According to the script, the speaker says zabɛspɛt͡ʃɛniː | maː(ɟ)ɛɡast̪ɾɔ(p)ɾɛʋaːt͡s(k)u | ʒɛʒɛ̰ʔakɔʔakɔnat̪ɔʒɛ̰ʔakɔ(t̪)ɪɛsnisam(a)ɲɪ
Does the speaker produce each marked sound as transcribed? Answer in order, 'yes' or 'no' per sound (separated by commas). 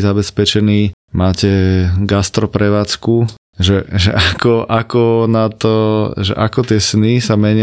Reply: no, yes, yes, yes, no